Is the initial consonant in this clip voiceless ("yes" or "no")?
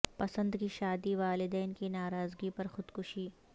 yes